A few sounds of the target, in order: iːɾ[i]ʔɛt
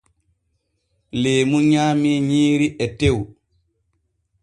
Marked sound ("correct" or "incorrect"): correct